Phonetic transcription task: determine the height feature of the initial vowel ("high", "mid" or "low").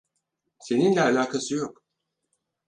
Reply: mid